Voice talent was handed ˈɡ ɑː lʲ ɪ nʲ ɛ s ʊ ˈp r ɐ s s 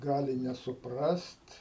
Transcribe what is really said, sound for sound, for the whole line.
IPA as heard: ˈɡ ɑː lʲ ɪ nʲ ɛ s ʊ ˈp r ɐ s t